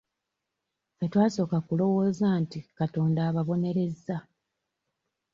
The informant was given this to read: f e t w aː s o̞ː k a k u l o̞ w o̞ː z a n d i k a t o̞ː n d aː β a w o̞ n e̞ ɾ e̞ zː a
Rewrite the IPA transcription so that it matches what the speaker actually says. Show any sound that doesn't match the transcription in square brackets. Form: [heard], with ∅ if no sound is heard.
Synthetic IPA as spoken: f e t w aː s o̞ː k a k u l o̞ w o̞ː z a n [t] i k a t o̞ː n d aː β a [β] o̞ n e̞ ɾ e̞ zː a